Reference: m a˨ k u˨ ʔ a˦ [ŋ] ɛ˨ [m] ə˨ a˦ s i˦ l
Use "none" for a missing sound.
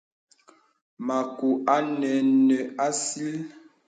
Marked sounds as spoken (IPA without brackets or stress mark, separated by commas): n, n